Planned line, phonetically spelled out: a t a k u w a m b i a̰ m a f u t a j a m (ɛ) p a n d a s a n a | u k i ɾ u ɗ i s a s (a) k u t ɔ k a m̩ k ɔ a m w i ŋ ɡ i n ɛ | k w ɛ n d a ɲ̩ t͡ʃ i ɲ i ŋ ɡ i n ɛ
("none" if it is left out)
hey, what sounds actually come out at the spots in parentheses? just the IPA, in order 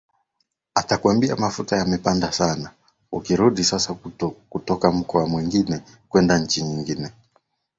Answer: ɛ, a

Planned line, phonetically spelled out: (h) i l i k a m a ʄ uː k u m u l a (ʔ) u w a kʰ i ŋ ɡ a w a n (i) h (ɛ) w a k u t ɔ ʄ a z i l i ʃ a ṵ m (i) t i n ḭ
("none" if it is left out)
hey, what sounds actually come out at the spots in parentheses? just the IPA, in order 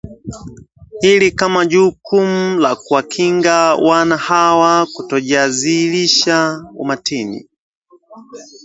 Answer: h, k, a, a, a

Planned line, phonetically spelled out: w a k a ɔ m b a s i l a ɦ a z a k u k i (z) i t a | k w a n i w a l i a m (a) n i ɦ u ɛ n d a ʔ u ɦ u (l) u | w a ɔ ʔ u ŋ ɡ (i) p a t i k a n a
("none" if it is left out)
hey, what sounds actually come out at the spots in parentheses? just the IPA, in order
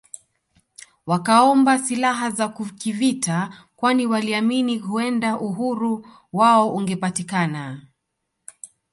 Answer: v, i, ɾ, ɛ

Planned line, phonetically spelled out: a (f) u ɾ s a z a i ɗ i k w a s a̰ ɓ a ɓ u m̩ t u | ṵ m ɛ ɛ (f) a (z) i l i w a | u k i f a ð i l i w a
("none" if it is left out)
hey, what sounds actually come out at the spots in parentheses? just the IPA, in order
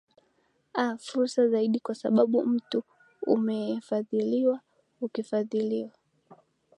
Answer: f, f, ð

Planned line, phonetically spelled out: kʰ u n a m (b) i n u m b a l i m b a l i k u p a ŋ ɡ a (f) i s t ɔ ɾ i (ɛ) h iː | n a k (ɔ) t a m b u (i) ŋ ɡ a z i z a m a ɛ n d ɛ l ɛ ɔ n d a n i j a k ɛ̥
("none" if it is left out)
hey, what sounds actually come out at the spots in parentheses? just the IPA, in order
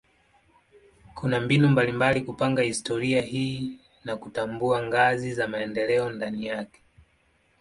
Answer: b, h, a, u, a

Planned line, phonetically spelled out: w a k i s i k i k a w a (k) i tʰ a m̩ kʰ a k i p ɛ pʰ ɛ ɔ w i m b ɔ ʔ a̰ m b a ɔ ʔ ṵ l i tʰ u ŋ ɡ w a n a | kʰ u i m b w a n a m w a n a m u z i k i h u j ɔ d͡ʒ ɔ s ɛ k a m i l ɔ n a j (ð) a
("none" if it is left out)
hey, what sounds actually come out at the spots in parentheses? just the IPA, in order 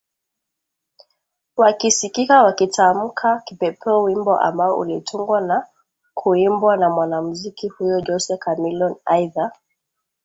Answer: k, ð

